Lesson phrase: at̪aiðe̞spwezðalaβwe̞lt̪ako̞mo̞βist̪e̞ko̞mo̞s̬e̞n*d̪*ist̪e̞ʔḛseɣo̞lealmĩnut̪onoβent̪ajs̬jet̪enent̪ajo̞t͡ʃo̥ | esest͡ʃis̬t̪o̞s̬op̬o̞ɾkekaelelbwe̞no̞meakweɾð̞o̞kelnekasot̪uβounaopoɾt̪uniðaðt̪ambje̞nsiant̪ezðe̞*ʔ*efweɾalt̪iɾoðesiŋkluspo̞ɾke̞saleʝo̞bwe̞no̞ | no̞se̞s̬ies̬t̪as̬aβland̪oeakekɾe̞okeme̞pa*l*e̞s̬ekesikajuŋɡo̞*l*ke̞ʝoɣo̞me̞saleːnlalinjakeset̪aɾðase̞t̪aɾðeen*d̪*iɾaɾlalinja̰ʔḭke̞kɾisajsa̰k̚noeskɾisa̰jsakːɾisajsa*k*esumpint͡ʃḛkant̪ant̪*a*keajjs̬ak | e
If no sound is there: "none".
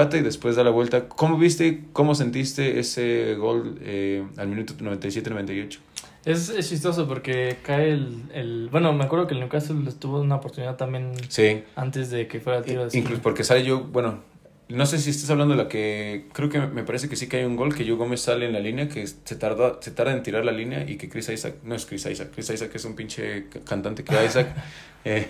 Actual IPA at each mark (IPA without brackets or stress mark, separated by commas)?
t̪, k, ɾ, l, t̪, k, e